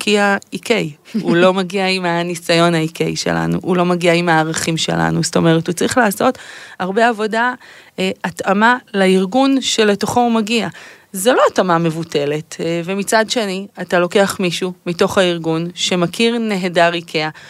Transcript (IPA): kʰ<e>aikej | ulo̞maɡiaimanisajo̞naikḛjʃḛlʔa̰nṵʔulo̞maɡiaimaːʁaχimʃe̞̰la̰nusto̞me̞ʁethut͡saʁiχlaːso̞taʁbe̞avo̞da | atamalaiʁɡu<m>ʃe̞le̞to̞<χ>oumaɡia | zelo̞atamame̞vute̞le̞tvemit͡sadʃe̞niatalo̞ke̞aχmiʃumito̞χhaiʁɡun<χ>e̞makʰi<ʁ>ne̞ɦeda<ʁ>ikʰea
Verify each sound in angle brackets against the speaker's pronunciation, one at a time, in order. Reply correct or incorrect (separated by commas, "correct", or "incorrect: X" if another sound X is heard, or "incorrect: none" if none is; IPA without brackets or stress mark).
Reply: incorrect: i, incorrect: n, correct, incorrect: ʃ, correct, correct